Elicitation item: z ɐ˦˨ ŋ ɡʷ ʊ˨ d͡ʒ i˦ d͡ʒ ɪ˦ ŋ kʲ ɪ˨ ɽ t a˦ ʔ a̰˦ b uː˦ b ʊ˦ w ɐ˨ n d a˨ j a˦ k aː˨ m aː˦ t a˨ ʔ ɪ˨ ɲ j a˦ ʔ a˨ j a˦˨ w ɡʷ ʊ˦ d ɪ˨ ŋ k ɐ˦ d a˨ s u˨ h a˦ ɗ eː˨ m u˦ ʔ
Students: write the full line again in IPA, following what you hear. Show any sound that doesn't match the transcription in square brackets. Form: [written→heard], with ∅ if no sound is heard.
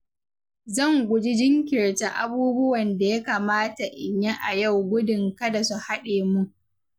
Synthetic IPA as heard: z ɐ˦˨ ŋ ɡʷ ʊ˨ d͡ʒ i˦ d͡ʒ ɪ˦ ŋ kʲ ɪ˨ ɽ t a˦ ʔ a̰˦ b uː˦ b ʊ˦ w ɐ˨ n d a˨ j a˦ k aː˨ m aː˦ t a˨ ʔ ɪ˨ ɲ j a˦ ʔ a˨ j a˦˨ w ɡʷ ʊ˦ d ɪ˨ ŋ k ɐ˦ d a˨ s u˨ h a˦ ɗ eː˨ m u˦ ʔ